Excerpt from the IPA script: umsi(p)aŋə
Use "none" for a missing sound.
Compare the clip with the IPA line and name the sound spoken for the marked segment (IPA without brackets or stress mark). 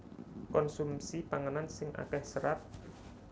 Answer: p